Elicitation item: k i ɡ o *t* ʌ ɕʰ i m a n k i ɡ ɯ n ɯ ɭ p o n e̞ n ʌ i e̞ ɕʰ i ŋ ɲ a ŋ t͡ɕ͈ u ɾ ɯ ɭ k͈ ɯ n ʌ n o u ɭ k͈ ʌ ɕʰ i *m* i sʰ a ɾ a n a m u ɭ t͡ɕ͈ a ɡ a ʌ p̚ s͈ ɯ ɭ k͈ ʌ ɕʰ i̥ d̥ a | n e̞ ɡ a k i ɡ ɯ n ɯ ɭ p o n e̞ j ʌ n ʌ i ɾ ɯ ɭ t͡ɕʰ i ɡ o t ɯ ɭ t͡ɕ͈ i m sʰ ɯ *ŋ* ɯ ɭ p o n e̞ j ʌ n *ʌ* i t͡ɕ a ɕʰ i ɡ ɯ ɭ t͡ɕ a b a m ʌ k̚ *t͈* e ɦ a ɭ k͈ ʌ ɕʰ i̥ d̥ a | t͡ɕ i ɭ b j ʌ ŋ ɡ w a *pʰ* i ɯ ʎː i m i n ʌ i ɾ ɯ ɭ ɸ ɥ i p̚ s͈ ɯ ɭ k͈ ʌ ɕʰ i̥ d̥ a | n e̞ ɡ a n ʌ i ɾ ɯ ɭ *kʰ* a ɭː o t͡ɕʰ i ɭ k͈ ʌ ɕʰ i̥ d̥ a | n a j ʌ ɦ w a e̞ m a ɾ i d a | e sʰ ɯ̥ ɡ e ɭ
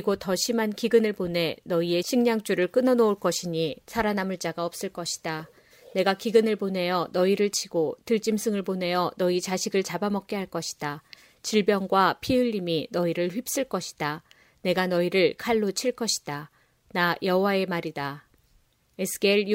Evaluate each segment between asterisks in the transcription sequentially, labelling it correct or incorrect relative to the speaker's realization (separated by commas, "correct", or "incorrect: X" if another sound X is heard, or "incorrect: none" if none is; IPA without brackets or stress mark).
correct, incorrect: ɲ, correct, correct, incorrect: k͈, correct, correct